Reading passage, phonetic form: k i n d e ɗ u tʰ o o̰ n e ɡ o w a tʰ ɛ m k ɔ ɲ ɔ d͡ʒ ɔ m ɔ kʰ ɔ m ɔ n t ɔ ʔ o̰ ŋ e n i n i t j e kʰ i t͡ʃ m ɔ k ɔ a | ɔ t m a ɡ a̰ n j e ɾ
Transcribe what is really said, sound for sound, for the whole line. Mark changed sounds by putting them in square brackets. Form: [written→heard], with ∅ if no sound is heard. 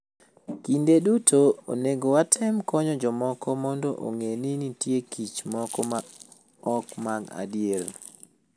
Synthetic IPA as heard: k i n d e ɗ u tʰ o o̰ n e ɡ o w a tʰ ɛ m k ɔ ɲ ɔ d͡ʒ ɔ m ɔ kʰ ɔ m ɔ n [t→d] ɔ ʔ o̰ ŋ e n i n i t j e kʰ i t͡ʃ m ɔ k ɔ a | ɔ [t→k] m a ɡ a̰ [n→d] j e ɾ